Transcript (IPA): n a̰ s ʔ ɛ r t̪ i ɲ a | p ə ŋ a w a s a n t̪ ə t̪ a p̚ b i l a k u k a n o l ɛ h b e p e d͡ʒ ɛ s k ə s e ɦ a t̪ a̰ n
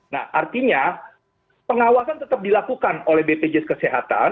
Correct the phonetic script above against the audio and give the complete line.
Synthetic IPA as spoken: n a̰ h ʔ a r t̪ i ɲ a | p ə ŋ a w a s a n t̪ ə t̪ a p̚ d i l a k u k a n o l ɛ h b e p e d͡ʒ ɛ s k ə s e ɦ a t̪ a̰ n